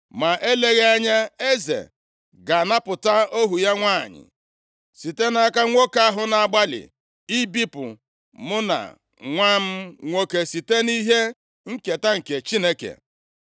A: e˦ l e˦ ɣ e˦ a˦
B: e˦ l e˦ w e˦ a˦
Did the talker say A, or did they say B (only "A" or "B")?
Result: A